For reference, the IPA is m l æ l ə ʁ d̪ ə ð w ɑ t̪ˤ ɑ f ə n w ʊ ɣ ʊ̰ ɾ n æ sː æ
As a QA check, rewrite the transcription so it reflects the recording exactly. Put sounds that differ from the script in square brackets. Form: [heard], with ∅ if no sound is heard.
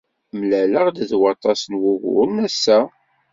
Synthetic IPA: m l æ l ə ʁ d̪ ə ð w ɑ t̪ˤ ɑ [s] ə n w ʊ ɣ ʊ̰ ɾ n æ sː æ

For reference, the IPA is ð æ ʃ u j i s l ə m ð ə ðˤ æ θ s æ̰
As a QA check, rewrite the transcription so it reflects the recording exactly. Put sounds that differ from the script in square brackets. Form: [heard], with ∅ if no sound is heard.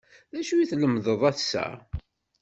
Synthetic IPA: ð æ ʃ u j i [θ] l ə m ð ə ðˤ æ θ s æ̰

